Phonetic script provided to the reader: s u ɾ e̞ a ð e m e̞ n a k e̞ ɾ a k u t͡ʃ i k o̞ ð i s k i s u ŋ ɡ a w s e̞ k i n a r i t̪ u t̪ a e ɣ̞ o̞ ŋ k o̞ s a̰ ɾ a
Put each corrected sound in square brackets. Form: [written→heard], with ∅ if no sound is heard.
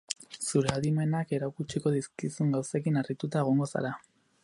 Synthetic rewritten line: s u ɾ e̞ a ð [e→i] m e̞ n a k e̞ ɾ a k u t͡ʃ i k o̞ ð i s k i s u ŋ ɡ a w s e̞ k i n a r i t̪ u t̪ a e ɣ̞ o̞ ŋ [k→ɡ] o̞ s a̰ ɾ a